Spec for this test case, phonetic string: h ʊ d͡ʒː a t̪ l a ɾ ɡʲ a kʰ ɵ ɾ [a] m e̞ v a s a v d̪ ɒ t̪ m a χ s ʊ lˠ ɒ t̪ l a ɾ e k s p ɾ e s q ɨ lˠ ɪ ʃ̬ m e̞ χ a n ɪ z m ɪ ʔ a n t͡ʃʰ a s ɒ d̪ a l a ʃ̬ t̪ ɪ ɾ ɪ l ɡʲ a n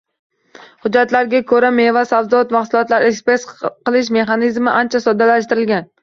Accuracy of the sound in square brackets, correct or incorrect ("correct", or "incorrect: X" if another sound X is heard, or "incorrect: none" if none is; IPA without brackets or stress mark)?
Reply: correct